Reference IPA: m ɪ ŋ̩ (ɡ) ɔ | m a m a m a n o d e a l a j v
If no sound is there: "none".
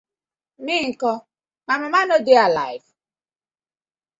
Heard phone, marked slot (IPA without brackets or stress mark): k